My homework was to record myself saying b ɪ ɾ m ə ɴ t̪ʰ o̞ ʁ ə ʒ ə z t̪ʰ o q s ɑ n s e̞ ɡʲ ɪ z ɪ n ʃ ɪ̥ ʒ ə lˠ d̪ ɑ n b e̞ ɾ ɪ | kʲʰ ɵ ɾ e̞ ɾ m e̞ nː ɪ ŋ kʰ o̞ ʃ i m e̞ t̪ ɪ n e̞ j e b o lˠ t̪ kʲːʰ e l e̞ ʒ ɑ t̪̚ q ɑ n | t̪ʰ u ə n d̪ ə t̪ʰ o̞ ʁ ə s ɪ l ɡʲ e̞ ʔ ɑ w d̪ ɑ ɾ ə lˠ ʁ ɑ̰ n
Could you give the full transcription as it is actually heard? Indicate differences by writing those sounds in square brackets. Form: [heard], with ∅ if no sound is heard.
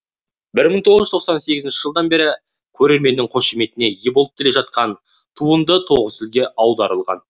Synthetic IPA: b ɪ ɾ m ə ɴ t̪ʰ o̞ ʁ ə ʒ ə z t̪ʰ o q s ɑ n s e̞ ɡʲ ɪ z ɪ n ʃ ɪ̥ ʒ ə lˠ d̪ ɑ n b e̞ ɾ ɪ | kʲʰ ɵ ɾ e̞ ɾ m e̞ nː ɪ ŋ [qʰ] o̞ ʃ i m e̞ t̪ ɪ n e̞ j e b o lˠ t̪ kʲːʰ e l e̞ ʒ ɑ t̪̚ q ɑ n | t̪ʰ u ə n d̪ ə t̪ʰ o̞ ʁ ə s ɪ l ɡʲ e̞ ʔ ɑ w d̪ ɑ ɾ ə lˠ ʁ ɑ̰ n